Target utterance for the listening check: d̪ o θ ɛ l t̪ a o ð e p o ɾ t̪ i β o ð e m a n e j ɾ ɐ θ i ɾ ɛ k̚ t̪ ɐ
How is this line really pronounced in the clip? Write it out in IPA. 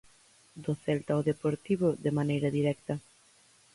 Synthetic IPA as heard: d̪ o θ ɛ l t̪ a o ð e p o ɾ t̪ i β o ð e m a n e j ɾ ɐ ð i ɾ ɛ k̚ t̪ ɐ